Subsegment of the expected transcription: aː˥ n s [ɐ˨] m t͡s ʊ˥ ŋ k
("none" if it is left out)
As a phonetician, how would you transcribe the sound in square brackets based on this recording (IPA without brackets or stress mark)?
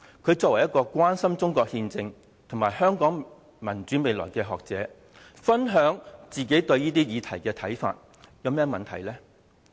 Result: ɐ˥